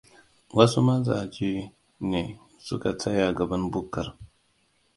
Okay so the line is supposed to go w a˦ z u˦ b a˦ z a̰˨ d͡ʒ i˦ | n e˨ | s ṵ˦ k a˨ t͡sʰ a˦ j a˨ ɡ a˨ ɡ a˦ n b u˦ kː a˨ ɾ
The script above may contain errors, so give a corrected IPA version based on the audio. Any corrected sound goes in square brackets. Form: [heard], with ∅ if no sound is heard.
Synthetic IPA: w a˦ [s] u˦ [m] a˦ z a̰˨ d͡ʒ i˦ | n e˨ | s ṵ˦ k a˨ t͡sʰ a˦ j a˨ ɡ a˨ [b] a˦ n b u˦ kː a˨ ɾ